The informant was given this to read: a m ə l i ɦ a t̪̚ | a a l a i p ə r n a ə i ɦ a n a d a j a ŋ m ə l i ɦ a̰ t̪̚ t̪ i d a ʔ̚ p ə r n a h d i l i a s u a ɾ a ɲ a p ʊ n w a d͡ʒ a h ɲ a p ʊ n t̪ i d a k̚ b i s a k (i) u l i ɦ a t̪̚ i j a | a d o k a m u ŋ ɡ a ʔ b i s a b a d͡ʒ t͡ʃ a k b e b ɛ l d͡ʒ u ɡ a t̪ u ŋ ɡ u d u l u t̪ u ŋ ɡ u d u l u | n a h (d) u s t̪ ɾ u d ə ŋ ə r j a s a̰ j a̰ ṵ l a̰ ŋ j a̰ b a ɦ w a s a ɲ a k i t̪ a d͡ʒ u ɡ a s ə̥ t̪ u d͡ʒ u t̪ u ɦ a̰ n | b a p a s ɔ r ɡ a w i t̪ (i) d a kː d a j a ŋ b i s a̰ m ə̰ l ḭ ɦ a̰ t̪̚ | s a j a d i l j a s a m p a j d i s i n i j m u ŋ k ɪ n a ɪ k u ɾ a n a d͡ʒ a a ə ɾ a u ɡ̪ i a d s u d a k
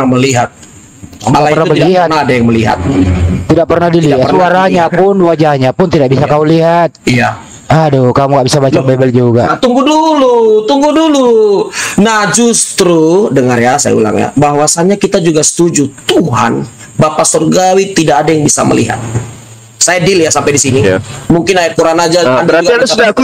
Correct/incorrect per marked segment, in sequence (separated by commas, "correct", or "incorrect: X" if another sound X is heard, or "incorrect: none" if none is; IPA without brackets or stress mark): incorrect: a, incorrect: d͡ʒ, correct